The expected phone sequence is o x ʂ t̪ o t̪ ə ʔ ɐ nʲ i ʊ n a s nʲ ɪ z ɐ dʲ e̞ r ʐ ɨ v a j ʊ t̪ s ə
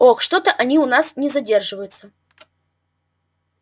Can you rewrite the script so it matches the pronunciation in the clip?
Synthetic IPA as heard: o x ʂ t̪ o t̪ ə ʔ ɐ nʲ i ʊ n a s nʲ ɪ z ɐ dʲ e̞ r ʐ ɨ v ə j ʊ t̪ s ə